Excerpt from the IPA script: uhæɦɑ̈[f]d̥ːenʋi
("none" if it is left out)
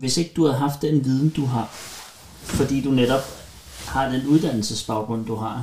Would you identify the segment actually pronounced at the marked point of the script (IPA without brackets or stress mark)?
f